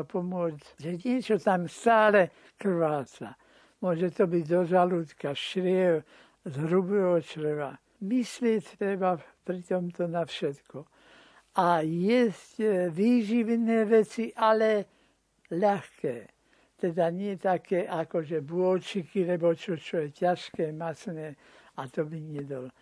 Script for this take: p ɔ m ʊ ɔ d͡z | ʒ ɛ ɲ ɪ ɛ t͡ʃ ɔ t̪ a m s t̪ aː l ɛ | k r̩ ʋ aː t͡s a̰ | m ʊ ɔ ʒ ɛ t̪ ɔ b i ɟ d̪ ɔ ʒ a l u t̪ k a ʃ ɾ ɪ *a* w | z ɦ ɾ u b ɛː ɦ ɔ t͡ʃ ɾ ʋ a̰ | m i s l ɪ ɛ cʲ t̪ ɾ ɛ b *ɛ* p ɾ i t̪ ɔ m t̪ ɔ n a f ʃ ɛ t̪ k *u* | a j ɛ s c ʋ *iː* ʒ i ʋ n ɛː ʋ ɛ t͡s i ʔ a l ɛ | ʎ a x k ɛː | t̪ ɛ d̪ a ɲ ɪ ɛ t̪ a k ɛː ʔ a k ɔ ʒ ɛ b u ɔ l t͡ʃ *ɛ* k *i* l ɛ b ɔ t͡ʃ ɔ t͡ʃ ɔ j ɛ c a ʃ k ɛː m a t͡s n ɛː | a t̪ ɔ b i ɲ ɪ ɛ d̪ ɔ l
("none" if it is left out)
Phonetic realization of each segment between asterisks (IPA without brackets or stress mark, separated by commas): ɛ, a, ɔ, iː, i, i